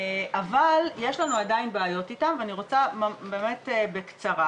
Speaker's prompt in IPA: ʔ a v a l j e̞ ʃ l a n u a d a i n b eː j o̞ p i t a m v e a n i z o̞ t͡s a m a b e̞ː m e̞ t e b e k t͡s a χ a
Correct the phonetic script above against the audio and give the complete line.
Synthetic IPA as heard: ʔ a v a l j e̞ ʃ l a n u a d a i n b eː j o̞ t i t a m v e a n i ʁ o̞ t͡s a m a b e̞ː m e̞ t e b e k t͡s a ʁ a